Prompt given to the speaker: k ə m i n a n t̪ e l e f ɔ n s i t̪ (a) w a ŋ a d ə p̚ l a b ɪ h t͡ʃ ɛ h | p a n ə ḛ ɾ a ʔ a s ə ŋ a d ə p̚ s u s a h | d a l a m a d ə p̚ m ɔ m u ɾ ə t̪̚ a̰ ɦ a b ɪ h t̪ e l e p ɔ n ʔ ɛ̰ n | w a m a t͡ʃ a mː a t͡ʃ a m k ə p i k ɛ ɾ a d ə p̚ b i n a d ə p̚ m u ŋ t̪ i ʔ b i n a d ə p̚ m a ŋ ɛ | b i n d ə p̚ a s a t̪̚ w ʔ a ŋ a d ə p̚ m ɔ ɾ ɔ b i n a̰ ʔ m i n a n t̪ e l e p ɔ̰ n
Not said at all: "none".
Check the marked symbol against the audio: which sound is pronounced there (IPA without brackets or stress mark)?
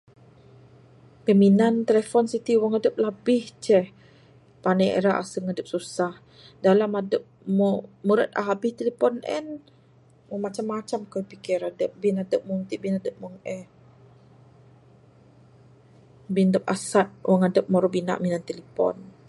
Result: i